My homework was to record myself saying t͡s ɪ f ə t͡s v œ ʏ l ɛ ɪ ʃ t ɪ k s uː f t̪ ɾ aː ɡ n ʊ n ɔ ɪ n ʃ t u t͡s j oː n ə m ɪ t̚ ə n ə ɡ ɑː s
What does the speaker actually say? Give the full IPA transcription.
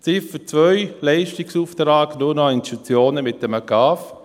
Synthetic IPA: t͡s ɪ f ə t͡s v œ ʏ l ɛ ɪ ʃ t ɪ k s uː f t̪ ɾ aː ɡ n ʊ n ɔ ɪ n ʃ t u t͡s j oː n ə m ɪ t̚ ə m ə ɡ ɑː f